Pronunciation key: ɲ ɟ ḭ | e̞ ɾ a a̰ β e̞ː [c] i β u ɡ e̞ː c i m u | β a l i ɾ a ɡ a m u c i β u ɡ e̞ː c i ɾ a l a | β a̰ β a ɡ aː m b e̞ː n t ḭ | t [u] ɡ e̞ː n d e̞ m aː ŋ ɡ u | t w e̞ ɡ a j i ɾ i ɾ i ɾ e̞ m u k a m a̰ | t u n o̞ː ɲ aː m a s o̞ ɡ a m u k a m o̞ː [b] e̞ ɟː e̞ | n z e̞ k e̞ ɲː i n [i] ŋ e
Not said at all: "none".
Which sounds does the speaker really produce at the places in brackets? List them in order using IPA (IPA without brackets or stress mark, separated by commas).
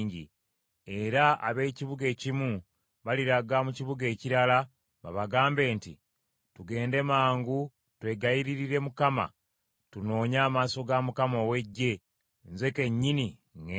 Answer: c, u, w, i